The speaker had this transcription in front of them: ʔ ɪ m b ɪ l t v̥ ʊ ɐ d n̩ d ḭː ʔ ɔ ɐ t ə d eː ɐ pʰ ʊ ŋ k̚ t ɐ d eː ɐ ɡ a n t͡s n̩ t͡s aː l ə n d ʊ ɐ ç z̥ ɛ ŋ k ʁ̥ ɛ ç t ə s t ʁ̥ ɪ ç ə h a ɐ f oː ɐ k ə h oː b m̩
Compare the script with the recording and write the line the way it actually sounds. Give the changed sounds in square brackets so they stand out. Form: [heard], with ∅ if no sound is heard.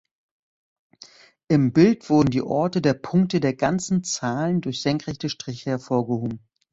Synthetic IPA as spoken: ʔ ɪ m b ɪ l t v̥ ʊ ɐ d n̩ d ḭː ʔ ɔ ɐ t ə d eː ɐ pʰ ʊ ŋ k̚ t [ə] d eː ɐ ɡ a n t͡s n̩ t͡s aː l ə n d ʊ ɐ ç z̥ ɛ ŋ k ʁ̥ ɛ ç t ə [ʃ] t ʁ̥ ɪ ç ə h [ɛ] ɐ f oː ɐ [ɡ] ə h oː b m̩